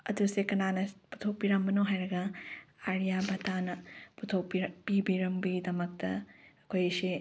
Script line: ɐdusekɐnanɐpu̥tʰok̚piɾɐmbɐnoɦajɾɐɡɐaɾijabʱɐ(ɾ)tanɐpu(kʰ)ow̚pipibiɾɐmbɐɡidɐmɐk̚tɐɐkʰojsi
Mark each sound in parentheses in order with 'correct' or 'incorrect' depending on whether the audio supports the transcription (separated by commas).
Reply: incorrect, incorrect